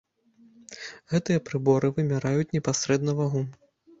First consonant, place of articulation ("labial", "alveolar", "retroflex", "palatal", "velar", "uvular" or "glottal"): velar